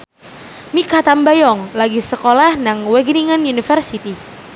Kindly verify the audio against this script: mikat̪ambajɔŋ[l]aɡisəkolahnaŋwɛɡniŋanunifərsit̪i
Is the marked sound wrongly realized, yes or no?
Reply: no